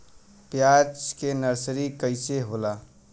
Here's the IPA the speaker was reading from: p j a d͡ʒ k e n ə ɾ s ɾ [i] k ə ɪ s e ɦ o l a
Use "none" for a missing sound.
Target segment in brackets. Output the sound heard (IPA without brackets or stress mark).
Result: i